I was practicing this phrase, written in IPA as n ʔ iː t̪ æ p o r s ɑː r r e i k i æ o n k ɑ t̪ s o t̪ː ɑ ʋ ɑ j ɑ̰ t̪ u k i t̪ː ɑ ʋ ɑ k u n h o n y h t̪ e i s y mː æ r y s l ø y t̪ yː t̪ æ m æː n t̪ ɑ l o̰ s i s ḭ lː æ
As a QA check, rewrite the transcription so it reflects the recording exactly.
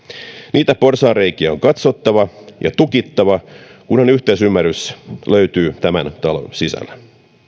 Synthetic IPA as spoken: n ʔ iː t̪ æ p o r s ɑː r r e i k i æ o ŋ k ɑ t̪ s o t̪ː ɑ ʋ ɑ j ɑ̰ t̪ u k i t̪ː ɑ ʋ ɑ k u n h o n y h t̪ e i s y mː æ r y s l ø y t̪ yː t̪ æ m æ n t̪ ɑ l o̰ s i s æ̰ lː æ